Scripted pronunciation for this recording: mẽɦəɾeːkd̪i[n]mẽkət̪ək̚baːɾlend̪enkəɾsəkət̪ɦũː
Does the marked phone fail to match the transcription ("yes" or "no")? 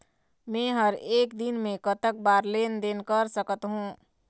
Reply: no